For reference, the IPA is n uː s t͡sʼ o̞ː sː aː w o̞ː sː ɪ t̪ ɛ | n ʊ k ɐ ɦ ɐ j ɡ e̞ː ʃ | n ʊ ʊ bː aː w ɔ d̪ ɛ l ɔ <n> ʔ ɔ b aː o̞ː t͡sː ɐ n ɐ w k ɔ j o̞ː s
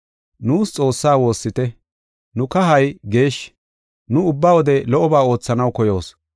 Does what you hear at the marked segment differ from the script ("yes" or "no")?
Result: yes